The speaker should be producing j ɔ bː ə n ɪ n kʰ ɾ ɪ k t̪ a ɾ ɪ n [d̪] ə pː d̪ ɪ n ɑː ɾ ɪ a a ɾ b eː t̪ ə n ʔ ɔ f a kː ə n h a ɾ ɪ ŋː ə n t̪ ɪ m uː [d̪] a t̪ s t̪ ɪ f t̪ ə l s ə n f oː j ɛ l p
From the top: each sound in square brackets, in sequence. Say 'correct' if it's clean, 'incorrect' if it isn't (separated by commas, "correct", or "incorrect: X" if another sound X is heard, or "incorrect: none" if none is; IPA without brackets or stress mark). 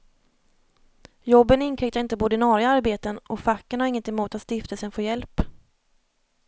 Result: incorrect: t̪, incorrect: t̪